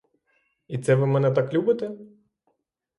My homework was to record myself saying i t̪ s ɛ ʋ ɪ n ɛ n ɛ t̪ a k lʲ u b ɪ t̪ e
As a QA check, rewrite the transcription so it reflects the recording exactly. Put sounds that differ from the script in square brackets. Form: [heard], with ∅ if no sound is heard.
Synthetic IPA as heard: i t̪ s ɛ ʋ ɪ [m] ɛ n ɛ t̪ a k lʲ u b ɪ t̪ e

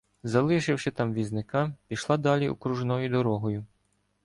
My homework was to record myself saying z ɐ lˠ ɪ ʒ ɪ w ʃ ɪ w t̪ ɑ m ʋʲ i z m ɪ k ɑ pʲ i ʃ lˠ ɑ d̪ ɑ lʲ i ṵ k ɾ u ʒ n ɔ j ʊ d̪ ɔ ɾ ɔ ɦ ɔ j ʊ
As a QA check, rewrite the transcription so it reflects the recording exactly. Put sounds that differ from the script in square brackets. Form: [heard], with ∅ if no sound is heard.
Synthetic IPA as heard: z ɐ lˠ ɪ [ʃ] ɪ w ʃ ɪ [∅] t̪ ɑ m ʋʲ i z [n] ɪ k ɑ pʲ i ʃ lˠ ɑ d̪ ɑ lʲ i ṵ k ɾ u ʒ n ɔ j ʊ d̪ ɔ ɾ ɔ ɦ ɔ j ʊ

